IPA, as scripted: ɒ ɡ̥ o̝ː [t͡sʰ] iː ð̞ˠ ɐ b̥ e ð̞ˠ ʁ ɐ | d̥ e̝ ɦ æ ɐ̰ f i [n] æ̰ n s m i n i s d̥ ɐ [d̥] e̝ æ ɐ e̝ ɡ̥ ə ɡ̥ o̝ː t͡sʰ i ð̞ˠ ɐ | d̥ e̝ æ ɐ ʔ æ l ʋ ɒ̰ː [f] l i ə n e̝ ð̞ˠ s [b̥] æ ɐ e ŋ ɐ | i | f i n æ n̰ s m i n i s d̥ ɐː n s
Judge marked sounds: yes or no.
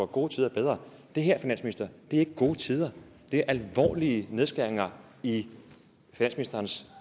yes, yes, yes, no, no

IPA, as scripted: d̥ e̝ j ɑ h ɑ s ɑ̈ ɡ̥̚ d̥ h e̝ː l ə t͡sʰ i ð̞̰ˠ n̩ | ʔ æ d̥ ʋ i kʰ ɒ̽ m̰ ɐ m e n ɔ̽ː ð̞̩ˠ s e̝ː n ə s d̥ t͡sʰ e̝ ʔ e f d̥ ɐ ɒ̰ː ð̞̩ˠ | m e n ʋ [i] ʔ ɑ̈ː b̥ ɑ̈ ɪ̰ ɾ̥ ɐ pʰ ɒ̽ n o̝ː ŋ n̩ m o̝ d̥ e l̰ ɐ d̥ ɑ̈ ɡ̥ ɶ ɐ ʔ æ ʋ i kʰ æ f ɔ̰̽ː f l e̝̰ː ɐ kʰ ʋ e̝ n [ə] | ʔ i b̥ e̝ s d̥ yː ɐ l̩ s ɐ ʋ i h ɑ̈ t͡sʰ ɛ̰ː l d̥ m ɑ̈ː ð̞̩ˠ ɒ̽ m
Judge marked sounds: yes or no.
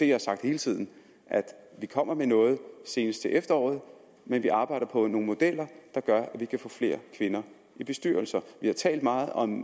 yes, no

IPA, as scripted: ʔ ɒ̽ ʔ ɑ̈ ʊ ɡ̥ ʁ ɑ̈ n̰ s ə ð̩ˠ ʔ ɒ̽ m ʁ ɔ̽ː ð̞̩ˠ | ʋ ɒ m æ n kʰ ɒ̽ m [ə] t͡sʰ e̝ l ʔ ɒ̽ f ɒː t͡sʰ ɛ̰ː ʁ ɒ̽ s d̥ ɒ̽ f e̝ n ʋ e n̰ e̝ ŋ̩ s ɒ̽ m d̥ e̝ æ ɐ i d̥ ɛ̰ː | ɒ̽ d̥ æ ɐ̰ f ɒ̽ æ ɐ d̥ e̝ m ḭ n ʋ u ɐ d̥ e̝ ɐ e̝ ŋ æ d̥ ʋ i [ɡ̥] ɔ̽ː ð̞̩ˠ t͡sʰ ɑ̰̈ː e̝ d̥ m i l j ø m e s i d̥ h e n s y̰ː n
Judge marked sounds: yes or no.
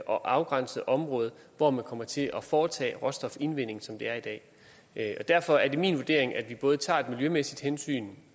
no, no

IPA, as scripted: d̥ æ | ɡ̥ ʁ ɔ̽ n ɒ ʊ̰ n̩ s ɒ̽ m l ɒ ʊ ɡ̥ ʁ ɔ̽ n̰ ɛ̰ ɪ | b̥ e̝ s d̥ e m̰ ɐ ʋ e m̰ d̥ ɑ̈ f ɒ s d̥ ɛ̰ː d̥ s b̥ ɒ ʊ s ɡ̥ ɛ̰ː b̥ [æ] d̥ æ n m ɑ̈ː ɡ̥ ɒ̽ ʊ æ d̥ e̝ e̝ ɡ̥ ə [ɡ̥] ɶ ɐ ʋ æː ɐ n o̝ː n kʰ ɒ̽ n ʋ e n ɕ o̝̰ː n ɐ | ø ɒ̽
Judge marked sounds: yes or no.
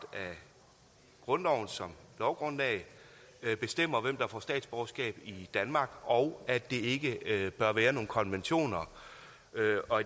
no, no

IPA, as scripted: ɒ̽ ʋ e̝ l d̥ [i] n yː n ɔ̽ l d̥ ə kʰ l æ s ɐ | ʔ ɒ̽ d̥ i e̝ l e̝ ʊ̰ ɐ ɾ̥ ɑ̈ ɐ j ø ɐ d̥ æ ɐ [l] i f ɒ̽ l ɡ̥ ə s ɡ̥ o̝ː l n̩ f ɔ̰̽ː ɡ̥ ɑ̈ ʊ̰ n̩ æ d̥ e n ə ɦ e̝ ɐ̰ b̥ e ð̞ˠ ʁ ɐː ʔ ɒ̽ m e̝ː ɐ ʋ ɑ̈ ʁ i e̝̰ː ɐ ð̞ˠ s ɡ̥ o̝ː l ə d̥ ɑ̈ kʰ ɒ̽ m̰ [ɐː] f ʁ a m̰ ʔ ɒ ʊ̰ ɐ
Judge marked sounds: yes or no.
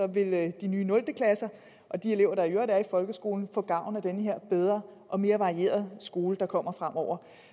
yes, no, no

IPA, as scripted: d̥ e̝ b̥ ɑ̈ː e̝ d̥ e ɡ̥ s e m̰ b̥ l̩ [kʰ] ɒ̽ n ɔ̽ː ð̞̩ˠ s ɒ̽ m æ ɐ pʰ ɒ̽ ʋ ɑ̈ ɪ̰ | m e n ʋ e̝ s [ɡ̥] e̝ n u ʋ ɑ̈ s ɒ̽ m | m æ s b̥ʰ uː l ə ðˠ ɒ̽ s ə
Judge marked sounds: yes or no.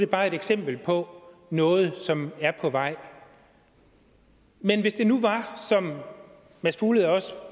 no, no

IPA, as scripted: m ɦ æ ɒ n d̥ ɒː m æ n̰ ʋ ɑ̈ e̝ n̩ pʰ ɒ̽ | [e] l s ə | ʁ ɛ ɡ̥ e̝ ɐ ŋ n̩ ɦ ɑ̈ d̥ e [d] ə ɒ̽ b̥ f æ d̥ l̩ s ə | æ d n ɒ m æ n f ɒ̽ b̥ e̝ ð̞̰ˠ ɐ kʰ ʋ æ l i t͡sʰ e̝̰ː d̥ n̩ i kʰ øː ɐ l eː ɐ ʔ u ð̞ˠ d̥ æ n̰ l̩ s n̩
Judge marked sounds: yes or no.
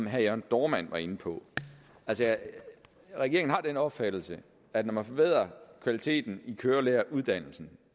no, no

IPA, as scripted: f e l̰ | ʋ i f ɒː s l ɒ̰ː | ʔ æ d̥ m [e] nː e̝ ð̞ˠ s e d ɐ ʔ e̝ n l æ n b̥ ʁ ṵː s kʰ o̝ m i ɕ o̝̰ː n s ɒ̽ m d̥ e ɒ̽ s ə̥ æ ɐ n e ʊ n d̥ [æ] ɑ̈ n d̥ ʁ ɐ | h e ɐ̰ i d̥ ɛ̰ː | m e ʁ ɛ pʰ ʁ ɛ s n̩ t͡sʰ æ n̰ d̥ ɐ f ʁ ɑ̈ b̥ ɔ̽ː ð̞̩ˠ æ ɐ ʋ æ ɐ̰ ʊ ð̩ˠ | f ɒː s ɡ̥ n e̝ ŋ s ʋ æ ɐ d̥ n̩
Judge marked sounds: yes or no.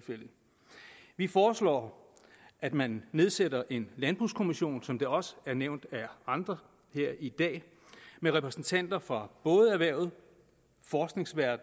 no, yes

